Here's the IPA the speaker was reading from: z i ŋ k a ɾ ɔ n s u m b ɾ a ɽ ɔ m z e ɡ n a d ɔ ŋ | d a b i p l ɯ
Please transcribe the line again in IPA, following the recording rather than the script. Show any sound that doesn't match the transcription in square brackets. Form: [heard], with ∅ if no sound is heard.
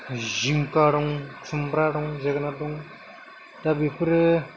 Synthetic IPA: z i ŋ k a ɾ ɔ [ŋ] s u m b ɾ a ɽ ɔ [ŋ] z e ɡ n a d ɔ ŋ | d a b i p [ɾ] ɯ